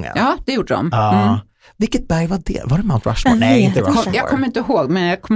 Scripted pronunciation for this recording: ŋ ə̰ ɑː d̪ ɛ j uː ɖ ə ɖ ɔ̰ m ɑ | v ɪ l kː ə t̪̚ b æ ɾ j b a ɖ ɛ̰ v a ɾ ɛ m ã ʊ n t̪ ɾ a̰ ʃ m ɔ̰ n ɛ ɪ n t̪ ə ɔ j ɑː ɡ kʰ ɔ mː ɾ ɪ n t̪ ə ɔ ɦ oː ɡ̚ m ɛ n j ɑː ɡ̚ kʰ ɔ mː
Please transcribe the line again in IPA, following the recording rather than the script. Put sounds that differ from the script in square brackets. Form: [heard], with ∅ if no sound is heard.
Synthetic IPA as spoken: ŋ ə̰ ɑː d̪ ɛ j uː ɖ ə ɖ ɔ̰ m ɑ | v ɪ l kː ə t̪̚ b æ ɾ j [v] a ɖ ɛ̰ v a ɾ ɛ m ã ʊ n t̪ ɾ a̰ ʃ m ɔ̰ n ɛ ɪ n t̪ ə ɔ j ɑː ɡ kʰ ɔ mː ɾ ɪ n t̪ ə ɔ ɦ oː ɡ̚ m ɛ n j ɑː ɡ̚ kʰ ɔ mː